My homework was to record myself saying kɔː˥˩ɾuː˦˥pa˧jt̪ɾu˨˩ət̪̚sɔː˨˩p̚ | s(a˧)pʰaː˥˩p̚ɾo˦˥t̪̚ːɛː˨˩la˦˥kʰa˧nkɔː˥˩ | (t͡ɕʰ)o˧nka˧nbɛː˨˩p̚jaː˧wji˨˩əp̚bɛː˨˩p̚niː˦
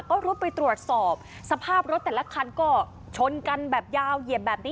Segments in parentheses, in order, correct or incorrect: correct, correct

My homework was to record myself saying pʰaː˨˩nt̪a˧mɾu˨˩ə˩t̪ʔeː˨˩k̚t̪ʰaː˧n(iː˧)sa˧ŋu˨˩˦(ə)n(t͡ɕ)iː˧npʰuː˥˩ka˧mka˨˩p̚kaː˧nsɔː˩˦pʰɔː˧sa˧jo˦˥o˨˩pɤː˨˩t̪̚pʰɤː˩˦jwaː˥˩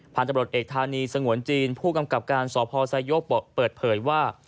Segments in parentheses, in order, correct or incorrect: correct, correct, correct

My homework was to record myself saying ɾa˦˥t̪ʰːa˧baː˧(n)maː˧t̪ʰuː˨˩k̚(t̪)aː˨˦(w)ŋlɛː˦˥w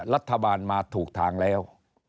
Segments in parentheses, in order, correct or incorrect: correct, incorrect: t̪ʰ, incorrect: none

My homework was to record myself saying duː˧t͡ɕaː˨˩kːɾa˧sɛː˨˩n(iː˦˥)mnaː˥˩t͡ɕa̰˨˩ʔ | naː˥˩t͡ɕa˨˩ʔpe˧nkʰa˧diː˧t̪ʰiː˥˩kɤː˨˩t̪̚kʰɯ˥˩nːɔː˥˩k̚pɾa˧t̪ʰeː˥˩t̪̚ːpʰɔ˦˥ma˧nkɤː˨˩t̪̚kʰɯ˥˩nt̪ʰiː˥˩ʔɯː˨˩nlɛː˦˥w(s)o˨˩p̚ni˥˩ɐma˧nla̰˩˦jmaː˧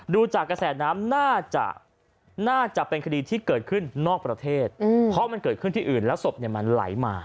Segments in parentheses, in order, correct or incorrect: incorrect: aː˦˥, correct

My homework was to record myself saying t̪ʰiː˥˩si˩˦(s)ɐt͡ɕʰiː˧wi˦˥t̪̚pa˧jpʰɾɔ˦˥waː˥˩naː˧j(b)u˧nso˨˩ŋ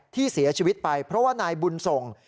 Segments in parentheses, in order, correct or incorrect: incorrect: none, correct

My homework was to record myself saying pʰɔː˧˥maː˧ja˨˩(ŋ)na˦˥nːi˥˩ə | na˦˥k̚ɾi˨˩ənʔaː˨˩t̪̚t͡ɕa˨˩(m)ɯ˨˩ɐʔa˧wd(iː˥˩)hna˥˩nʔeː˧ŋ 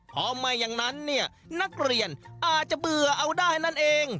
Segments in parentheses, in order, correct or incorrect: correct, incorrect: b, incorrect: aː˥˩

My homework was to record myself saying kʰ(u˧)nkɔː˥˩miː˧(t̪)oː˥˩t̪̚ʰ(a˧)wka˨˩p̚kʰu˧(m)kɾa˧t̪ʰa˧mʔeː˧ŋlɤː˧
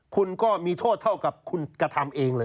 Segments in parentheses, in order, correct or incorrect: correct, incorrect: t̪ʰ, incorrect: a˥˩, incorrect: n

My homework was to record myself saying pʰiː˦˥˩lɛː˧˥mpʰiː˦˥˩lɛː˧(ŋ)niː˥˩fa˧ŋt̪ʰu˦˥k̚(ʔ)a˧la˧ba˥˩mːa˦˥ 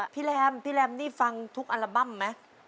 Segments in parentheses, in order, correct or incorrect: incorrect: m, correct

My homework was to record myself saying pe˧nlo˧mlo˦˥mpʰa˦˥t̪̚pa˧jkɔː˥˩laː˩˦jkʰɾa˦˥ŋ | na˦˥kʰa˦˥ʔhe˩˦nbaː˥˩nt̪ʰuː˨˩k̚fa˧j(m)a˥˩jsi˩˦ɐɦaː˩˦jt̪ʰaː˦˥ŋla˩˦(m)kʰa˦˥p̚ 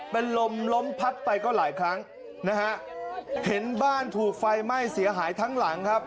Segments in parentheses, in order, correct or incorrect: correct, incorrect: ŋ

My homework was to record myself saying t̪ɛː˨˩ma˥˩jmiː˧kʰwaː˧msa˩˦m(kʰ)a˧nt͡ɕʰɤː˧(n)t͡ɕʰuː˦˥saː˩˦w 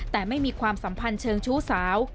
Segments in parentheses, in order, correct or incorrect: incorrect: pʰ, incorrect: ŋ

